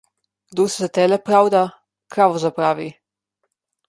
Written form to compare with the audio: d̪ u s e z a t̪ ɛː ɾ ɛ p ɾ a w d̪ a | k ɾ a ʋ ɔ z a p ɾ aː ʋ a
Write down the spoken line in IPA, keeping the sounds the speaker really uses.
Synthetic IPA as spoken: d̪ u s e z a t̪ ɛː l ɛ p ɾ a w d̪ a | k ɾ a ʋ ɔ z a p ɾ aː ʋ i